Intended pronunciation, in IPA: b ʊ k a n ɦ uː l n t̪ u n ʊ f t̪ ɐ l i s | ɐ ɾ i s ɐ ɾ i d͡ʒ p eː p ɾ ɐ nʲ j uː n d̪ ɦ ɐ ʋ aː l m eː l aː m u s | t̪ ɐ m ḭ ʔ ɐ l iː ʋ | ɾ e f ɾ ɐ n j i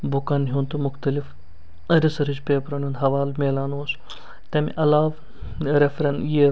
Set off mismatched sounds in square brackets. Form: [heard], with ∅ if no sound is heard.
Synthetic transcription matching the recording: b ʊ k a n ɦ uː [∅] n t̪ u [m] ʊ [x] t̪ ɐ l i [f] | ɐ ɾ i s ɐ ɾ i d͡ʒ p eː p ɾ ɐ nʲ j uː n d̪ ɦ ɐ ʋ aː l m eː l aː [n] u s | t̪ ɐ m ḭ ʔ ɐ l [aː] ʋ | ɾ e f ɾ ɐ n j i